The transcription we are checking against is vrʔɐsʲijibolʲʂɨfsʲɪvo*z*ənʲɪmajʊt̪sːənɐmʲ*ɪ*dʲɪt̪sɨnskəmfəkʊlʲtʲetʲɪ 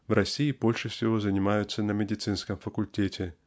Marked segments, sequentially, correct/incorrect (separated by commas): correct, correct